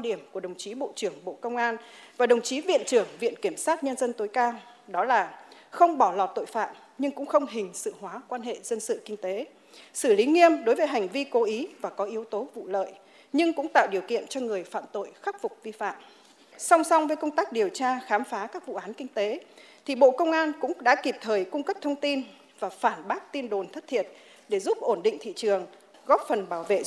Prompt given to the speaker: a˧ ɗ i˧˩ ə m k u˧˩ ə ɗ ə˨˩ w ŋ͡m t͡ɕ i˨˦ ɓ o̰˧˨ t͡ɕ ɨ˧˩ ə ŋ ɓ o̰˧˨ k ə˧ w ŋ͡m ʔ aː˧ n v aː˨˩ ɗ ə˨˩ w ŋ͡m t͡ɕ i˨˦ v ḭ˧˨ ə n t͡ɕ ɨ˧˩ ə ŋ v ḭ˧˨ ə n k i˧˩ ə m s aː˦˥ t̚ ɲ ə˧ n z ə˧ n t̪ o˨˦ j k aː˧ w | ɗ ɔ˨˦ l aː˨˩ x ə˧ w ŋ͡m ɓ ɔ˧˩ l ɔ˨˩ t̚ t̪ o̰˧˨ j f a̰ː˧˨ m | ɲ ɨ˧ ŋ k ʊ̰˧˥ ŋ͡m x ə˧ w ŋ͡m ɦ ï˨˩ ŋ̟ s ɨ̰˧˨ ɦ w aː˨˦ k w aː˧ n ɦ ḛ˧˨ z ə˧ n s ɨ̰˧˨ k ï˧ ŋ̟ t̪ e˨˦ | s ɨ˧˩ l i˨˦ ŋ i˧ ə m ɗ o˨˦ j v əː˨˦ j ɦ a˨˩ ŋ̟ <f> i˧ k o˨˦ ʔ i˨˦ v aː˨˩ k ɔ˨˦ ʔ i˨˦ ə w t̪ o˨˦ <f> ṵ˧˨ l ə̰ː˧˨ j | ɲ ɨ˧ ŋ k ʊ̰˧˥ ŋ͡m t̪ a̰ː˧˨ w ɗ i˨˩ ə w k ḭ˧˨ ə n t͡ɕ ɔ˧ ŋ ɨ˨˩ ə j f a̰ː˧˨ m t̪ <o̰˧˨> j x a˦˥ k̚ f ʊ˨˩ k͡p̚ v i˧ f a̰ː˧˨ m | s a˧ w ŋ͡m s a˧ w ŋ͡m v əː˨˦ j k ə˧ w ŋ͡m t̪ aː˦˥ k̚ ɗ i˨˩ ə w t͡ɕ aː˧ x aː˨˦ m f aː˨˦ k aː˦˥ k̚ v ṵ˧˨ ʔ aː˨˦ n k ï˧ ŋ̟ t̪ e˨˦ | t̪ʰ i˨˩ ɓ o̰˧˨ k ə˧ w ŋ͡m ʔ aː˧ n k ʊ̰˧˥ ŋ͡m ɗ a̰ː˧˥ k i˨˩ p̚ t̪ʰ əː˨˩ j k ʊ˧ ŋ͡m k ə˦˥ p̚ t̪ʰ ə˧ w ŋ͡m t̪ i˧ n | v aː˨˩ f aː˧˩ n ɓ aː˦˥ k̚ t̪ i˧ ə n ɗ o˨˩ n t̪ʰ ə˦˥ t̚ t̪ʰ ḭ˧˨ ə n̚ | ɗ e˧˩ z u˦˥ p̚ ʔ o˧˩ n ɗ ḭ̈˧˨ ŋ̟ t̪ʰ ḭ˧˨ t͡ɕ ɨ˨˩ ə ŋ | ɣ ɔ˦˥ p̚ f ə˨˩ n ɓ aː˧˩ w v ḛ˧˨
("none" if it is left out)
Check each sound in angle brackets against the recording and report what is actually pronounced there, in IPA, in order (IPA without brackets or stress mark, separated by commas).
v, v, o̰˧˨